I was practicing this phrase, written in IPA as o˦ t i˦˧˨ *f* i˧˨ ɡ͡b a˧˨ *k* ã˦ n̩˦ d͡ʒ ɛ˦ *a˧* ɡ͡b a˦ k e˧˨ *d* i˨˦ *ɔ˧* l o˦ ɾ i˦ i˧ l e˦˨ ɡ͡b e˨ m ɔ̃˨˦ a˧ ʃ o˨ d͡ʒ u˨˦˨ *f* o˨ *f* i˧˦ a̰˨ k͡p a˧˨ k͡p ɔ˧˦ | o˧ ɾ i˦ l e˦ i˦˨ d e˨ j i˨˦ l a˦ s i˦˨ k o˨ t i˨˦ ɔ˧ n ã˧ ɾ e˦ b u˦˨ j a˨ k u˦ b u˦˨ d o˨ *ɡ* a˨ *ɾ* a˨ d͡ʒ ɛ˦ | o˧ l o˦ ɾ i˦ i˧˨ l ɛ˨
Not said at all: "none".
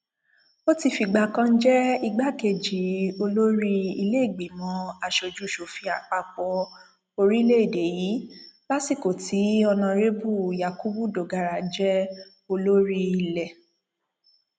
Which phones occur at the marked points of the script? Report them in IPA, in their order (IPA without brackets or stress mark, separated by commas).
f, k, i˧, d͡ʒ, o˧, ʃ, f, ɡ, ɾ